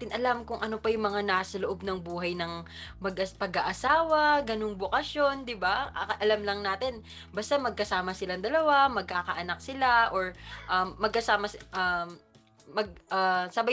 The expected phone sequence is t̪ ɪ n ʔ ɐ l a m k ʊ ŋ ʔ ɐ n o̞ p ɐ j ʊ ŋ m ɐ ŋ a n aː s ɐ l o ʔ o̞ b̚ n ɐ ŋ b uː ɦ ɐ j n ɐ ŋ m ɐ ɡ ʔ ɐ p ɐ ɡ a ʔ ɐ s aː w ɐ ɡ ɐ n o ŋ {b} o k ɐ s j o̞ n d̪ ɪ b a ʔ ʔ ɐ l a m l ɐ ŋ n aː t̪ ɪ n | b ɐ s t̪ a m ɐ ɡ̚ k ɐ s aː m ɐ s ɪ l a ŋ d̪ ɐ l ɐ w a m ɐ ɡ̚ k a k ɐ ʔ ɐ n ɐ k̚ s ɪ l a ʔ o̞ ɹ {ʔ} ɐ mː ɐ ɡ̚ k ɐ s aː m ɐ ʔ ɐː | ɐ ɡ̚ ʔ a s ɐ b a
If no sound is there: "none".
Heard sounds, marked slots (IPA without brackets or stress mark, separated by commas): b, ʔ